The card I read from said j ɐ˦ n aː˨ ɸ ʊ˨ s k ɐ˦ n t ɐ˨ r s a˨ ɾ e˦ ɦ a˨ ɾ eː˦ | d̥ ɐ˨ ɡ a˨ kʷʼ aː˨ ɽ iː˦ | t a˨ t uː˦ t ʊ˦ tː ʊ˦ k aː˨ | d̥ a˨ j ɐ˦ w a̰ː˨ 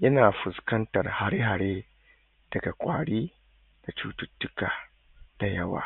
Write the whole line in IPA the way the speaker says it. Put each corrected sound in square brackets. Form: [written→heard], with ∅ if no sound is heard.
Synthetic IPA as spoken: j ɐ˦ n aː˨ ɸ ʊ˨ s k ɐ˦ n t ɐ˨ r [s→h] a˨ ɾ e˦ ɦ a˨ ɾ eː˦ | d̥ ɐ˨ ɡ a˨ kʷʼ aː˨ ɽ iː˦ | [t→d] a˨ [t→t͡ʃ] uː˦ t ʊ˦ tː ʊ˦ k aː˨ | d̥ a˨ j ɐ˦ w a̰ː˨